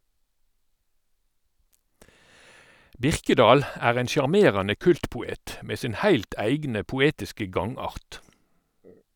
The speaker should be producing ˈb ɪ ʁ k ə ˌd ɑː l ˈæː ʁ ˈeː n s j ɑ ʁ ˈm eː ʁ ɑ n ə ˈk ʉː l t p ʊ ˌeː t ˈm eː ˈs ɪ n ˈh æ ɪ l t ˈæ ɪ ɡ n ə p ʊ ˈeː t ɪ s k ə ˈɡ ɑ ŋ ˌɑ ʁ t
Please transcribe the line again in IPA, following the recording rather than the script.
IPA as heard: ˈb ɪ ʁ k ə ˌd ɑː l ˈæː ʁ ˈeː n s j ɑ ʁ ˈm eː ʁ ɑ n ə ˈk ʉ l t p ʊ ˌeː t ˈm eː ˈs ɪ n ˈh æ ɪ l t ˈæ ɪ ɡ n ə p ʊ ˈeː t ɪ s k ə ˈɡ ɑ ŋ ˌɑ ʁ t